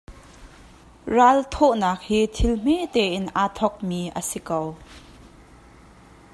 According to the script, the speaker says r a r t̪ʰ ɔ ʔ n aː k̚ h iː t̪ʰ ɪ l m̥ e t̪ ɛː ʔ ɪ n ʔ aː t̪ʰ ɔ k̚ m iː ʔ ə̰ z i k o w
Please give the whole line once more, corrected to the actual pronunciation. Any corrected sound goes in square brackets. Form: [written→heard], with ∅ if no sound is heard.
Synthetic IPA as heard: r a [r→l] t̪ʰ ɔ ʔ n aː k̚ h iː t̪ʰ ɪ l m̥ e t̪ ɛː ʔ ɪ n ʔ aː t̪ʰ ɔ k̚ m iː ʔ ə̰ [z→s] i k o w